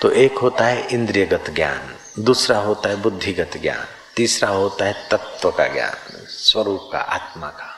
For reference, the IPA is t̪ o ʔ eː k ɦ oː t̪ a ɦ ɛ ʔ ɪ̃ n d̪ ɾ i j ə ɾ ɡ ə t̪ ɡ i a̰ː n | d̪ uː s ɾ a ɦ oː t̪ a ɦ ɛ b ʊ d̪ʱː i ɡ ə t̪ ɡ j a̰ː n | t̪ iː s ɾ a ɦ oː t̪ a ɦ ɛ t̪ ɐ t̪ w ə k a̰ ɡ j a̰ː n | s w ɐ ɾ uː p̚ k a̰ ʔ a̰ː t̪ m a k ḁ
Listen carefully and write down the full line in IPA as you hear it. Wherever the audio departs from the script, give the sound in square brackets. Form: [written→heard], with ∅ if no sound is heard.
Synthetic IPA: t̪ o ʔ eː k ɦ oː t̪ a ɦ ɛ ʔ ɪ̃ n d̪ ɾ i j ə [ɾ→∅] ɡ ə t̪ ɡ [i→j] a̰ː n | d̪ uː s ɾ a ɦ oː t̪ a ɦ ɛ b ʊ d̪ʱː i ɡ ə t̪ ɡ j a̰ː n | t̪ iː s ɾ a ɦ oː t̪ a ɦ ɛ t̪ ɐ t̪ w ə k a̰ ɡ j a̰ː n | s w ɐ ɾ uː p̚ k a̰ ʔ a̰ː t̪ m a k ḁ